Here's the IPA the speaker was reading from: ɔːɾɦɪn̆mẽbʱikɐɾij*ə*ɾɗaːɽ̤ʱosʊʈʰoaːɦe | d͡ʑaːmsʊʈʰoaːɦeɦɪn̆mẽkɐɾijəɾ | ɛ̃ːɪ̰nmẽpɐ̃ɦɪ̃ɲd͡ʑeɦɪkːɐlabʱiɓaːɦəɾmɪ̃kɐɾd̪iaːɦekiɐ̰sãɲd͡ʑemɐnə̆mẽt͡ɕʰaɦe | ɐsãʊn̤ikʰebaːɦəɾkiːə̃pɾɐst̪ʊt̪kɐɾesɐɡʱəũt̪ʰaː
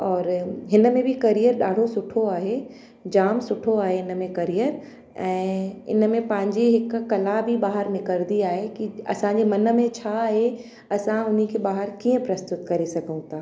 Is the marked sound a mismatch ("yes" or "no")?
no